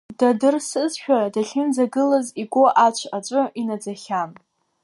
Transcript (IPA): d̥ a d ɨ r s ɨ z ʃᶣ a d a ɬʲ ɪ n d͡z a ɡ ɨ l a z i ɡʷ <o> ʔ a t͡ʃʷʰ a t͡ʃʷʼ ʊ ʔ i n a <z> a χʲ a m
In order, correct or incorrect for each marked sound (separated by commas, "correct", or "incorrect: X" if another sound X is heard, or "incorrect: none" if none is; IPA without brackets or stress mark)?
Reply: correct, incorrect: d͡z